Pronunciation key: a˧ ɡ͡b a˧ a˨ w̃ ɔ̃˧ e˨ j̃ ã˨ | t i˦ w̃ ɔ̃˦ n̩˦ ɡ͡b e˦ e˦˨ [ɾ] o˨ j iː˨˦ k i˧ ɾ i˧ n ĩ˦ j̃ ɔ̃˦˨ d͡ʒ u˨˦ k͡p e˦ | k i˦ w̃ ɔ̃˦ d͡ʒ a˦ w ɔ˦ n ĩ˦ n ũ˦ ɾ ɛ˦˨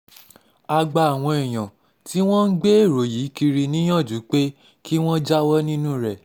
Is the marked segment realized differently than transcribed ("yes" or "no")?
no